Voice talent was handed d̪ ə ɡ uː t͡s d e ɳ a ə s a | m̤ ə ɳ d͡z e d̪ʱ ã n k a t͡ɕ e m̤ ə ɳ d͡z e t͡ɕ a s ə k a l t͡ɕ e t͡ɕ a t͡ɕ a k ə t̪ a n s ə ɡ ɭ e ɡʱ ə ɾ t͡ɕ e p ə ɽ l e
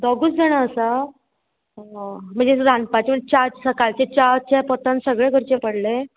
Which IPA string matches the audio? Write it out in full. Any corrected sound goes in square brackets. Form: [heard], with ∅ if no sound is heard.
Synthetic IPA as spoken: d̪ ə ɡ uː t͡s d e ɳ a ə s a | m̤ ə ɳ d͡z e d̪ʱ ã n [p] a t͡ɕ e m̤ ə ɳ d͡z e t͡ɕ a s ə k a l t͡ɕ e t͡ɕ a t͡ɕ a [p] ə t̪ a n s ə ɡ ɭ e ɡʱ ə ɾ t͡ɕ e p ə ɽ l e